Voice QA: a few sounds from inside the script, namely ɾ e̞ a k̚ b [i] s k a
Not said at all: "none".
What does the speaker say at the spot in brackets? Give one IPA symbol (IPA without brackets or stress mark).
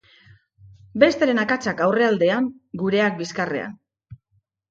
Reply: i